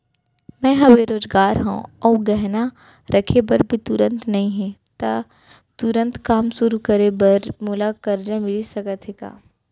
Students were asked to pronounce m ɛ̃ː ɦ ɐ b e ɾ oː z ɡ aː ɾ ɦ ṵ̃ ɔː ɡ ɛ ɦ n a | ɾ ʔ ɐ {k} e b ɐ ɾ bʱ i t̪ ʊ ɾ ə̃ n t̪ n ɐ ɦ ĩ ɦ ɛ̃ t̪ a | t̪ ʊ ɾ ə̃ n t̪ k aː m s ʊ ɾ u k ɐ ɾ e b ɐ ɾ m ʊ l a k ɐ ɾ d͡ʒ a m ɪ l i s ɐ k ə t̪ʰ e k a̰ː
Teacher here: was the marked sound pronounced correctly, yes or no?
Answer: no